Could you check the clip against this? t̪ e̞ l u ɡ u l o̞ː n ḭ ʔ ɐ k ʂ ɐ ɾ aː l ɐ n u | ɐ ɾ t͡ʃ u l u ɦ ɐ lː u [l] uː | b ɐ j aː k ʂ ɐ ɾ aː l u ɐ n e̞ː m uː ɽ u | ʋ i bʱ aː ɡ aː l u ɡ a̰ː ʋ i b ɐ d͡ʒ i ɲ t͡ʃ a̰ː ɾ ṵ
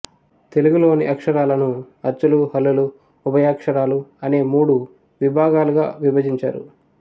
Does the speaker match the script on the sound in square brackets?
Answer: yes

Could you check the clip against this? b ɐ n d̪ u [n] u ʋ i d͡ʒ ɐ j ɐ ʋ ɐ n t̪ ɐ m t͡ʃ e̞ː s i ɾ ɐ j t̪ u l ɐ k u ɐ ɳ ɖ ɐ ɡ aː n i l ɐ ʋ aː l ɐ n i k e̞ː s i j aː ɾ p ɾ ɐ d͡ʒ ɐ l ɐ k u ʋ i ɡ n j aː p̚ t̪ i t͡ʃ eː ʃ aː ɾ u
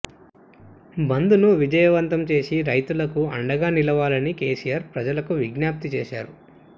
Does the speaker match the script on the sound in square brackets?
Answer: yes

